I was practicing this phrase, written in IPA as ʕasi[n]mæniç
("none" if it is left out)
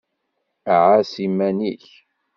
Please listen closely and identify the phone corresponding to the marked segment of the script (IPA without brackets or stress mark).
none